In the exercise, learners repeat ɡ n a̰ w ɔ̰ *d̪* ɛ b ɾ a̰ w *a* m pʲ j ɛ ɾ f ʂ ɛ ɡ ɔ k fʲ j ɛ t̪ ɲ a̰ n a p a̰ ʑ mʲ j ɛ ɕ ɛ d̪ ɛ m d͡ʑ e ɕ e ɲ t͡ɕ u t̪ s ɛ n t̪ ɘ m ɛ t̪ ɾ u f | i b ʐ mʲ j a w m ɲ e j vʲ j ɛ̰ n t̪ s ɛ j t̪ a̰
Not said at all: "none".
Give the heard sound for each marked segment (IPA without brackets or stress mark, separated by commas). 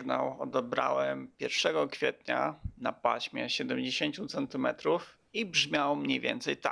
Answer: d̪, ɛ